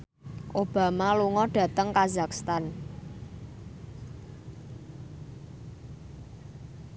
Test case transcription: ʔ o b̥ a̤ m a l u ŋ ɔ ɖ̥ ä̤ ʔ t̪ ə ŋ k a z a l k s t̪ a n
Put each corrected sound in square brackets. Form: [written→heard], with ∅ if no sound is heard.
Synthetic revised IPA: ʔ o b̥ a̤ m a l u ŋ ɔ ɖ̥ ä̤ [ʔ→∅] t̪ ə ŋ k a z a [l→∅] k s t̪ a n